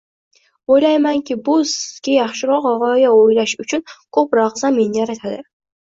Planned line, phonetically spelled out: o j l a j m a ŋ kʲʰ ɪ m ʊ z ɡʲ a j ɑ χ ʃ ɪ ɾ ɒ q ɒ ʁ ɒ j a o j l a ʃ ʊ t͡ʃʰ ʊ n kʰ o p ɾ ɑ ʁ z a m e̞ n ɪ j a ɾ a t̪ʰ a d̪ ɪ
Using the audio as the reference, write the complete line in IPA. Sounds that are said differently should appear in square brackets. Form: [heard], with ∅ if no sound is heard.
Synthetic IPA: o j l a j m a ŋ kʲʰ ɪ [b] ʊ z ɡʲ a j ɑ χ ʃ ɪ ɾ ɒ q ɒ ʁ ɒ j a o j l a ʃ ʊ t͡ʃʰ ʊ n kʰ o p ɾ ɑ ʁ z a m e̞ n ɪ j a ɾ a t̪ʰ a d̪ ɪ